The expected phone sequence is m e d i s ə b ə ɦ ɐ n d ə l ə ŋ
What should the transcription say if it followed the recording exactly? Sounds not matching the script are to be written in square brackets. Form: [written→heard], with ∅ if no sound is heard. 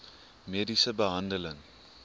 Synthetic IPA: m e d i s ə b ə ɦ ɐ n d ə l ə ŋ